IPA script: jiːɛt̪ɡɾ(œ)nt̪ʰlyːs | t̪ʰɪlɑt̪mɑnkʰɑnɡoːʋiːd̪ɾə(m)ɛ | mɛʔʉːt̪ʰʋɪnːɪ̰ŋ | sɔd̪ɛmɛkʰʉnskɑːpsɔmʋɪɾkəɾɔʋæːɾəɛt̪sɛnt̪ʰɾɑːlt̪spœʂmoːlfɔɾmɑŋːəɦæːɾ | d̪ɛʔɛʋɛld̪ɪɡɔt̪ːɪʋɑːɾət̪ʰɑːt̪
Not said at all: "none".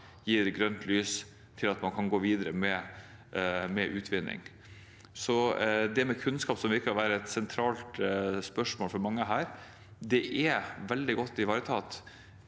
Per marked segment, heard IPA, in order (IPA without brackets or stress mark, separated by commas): œ, m